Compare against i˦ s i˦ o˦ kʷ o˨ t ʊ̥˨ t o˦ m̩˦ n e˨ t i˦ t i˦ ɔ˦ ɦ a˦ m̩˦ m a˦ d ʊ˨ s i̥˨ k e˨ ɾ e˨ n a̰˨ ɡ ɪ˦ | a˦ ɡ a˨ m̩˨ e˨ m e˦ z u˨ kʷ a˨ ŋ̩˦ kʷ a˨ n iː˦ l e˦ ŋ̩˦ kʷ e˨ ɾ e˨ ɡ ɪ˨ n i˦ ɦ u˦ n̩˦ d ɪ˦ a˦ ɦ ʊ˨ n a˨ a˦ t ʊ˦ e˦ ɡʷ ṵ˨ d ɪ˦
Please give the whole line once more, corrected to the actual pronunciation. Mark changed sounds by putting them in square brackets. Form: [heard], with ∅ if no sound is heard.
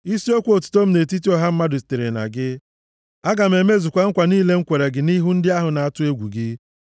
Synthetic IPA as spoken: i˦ s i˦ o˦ kʷ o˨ t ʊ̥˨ t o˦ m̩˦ n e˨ t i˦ t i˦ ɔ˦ ɦ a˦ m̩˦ m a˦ d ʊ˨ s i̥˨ [t] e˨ ɾ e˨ n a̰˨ ɡ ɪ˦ | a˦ ɡ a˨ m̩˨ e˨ m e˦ z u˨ kʷ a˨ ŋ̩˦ kʷ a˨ n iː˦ l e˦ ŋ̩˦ kʷ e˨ ɾ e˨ ɡ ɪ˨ n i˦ ɦ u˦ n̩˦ d ɪ˦ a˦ ɦ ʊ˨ n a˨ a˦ t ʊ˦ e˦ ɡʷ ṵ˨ [ɡ] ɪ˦